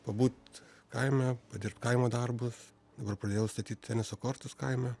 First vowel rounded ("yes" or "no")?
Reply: no